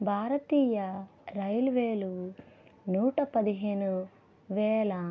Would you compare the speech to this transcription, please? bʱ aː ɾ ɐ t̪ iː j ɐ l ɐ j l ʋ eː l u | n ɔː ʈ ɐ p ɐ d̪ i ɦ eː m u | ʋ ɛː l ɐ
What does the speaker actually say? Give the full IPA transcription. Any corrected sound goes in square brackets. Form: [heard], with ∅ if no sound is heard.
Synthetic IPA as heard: bʱ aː ɾ ɐ t̪ iː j ɐ [ɾ] ɐ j l ʋ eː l u | n [uː] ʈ ɐ p ɐ d̪ i ɦ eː [n] u | ʋ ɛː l ɐ